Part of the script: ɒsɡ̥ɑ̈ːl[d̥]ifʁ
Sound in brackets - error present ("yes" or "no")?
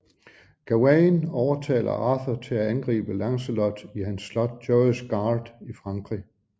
no